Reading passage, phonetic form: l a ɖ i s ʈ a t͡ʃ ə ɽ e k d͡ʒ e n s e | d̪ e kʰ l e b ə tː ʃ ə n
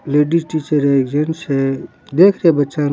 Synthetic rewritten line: l e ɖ i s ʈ i t͡ʃ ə ɾ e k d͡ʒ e n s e | d̪ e kʰ ɾ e b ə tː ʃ a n

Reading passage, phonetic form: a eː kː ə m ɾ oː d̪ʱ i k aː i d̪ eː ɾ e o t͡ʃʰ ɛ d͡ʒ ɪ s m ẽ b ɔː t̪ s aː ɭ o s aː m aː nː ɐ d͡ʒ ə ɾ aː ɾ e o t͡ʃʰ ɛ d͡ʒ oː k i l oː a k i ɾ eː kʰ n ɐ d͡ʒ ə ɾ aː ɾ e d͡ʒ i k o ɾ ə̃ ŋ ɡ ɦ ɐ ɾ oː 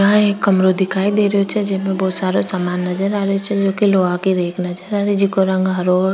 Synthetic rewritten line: a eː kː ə m ɾ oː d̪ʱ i k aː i d̪ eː ɾ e o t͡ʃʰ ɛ d͡ʒ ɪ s m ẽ b ɔː t̪ s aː ɾ o s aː m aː nː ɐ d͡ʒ ə ɾ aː ɾ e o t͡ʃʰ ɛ d͡ʒ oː k i l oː a k i ɾ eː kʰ n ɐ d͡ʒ ə ɾ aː ɾ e d͡ʒ i k o ɾ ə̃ ŋ ɡ ɦ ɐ ɾ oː

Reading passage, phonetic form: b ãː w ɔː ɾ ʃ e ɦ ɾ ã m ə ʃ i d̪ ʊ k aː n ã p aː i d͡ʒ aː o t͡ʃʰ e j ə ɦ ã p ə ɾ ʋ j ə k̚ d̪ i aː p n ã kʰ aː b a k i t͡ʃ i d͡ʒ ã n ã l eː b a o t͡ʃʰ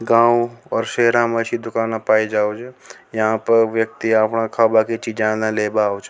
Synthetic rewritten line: ɡ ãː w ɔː ɾ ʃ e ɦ ɾ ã m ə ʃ i d̪ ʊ k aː n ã p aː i d͡ʒ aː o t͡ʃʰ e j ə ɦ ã p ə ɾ ʋ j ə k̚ t̪ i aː p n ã kʰ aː b a k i t͡ʃ i d͡ʒ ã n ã l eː b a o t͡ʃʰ

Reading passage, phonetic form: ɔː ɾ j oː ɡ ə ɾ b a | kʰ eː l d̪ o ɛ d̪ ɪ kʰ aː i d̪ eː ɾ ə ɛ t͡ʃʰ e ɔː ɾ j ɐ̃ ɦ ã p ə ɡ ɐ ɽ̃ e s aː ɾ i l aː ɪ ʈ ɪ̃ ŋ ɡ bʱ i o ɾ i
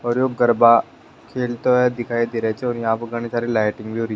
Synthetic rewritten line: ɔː ɾ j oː ɡ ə ɾ b a | kʰ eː l t̪ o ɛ d̪ ɪ kʰ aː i d̪ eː ɾ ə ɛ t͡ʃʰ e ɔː ɾ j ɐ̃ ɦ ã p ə ɡ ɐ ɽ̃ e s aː ɾ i l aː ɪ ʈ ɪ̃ ŋ ɡ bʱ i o ɾ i

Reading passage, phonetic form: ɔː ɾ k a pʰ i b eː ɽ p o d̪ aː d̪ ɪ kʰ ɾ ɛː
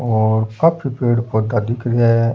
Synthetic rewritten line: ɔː ɾ k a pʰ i p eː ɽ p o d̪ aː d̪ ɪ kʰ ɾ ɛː

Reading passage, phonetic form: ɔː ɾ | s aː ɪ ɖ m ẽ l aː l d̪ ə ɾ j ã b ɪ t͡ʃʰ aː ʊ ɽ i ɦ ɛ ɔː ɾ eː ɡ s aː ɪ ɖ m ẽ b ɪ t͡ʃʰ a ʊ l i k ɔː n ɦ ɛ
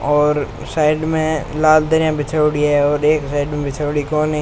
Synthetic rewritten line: ɔː ɾ | s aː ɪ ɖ m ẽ l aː l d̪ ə ɾ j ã b ɪ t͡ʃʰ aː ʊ ɽ i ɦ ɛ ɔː ɾ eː k s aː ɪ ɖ m ẽ b ɪ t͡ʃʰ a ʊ ɽ i k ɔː n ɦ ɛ

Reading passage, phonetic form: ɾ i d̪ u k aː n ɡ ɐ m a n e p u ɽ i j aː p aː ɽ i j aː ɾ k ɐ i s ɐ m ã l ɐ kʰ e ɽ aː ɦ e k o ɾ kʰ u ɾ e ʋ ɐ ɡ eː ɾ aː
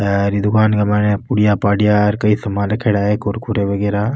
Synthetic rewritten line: ɾ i d̪ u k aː n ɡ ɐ m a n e p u ɽ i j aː p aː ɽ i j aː ɾ k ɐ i s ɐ m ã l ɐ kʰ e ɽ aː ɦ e k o ɾ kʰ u ɾ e ʋ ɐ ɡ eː ɾ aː

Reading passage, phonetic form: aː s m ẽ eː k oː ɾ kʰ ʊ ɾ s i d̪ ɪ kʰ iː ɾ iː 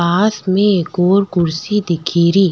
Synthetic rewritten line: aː s m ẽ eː k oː ɾ k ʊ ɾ s i d̪ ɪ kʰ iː ɾ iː

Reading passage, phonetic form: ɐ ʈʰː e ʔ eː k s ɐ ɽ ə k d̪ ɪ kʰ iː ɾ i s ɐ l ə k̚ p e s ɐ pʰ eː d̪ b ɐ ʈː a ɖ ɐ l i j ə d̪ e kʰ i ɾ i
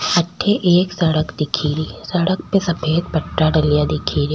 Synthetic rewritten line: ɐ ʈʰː e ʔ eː k s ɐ ɽ ə k d̪ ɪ kʰ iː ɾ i s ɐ ɽ ə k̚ p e s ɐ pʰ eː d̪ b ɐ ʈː a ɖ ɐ l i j a d̪ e kʰ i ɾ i

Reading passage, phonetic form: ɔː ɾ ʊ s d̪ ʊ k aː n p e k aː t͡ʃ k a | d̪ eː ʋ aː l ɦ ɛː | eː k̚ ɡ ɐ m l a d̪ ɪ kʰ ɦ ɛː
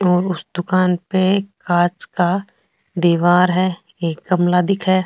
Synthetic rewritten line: ɔː ɾ ʊ s d̪ ʊ k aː n p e k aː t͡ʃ k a | d̪ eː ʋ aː ɾ ɦ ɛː | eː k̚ ɡ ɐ m l a d̪ ɪ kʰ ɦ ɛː

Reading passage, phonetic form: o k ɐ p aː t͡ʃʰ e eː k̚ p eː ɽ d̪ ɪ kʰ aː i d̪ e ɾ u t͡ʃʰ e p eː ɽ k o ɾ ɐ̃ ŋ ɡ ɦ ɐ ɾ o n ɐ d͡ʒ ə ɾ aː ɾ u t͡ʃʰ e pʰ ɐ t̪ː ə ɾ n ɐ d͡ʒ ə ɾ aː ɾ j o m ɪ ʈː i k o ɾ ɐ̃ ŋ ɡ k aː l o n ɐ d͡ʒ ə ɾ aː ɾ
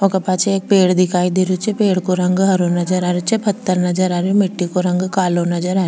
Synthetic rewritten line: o k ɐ p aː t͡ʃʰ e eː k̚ p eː ɽ d̪ ɪ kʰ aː i d̪ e ɾ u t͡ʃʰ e p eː ɽ k o ɾ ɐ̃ ŋ ɡ ɦ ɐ ɾ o n ɐ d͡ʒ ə ɾ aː ɾ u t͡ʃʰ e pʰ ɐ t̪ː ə ɾ n ɐ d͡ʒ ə ɾ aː ɾ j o m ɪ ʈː i k o ɾ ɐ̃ ŋ ɡ k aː l o n ɐ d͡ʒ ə ɾ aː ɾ

